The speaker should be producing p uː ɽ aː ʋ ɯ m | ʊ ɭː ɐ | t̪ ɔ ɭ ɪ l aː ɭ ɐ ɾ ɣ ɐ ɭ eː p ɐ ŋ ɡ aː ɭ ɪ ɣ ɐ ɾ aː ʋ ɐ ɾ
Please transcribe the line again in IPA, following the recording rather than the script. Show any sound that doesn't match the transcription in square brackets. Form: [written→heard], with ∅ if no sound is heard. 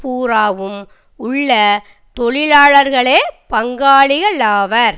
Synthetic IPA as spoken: p uː [ɽ→ɾ] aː ʋ ɯ m | ʊ ɭː ɐ | t̪ ɔ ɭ ɪ l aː ɭ ɐ ɾ ɣ ɐ ɭ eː p ɐ ŋ ɡ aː ɭ ɪ ɣ ɐ [ɾ→ɭ] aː ʋ ɐ ɾ